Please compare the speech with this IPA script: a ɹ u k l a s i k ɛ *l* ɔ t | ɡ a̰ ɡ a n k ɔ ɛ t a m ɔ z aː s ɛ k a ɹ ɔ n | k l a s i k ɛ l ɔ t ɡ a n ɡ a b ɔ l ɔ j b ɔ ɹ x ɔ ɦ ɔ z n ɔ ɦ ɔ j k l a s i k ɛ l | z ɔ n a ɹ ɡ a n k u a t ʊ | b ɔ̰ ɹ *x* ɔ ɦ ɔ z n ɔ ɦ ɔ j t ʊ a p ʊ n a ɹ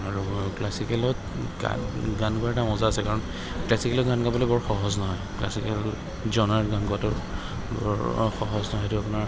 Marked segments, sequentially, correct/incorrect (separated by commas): correct, correct